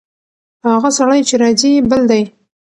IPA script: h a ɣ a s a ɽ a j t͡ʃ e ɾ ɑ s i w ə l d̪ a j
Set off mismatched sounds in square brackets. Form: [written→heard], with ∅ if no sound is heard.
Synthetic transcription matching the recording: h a ɣ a s a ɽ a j t͡ʃ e ɾ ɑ [s→z] i [w→b] ə l d̪ a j